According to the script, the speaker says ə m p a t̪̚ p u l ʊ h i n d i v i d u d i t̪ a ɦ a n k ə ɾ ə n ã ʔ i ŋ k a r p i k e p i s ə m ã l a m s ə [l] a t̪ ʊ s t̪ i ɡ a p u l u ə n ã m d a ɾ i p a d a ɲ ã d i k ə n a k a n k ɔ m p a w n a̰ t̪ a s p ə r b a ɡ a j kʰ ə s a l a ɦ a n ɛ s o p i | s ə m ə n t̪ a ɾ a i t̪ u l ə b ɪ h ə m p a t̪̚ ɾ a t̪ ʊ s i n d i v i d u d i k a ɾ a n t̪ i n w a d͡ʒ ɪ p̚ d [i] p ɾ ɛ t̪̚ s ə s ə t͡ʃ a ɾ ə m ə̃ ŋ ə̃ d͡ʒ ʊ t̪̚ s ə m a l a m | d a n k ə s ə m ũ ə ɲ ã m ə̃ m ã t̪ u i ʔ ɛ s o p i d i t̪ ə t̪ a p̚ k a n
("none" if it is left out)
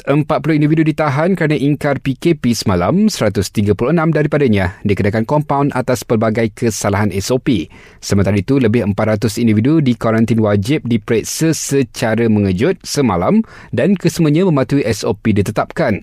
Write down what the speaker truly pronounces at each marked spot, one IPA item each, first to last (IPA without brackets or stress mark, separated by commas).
ɾ, i